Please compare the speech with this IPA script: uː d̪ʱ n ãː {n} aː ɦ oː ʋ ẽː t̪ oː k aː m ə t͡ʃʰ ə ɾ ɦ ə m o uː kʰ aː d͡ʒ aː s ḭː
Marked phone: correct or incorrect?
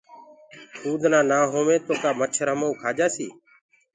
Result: correct